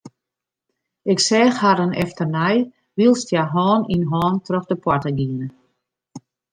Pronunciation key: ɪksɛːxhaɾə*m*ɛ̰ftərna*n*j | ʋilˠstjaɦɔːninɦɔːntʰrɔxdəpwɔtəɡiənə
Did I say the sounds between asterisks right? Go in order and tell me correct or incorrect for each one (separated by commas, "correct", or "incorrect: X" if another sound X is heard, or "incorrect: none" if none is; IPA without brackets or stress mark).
incorrect: n, incorrect: none